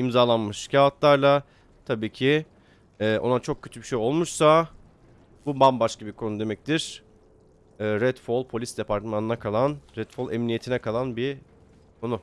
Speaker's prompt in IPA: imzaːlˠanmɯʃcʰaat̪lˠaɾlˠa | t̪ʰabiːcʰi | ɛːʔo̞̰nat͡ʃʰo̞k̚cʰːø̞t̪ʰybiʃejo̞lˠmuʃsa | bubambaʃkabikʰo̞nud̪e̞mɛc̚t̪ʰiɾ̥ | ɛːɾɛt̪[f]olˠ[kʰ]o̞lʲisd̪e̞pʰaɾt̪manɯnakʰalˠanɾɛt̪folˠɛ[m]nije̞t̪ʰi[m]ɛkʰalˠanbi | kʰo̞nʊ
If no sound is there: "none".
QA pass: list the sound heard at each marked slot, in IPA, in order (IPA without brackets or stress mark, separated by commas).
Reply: f, pʰ, m, n